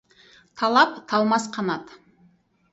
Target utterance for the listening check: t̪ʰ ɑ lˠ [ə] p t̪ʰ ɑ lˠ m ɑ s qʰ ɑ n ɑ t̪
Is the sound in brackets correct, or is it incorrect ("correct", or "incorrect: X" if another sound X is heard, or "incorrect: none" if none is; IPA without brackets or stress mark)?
incorrect: ɑ